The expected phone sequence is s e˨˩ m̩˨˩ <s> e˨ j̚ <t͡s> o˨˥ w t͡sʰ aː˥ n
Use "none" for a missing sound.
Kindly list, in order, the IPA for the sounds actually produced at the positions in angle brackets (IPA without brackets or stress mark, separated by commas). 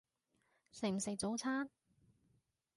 s, t͡s